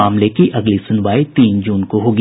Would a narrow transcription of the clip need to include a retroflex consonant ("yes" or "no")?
no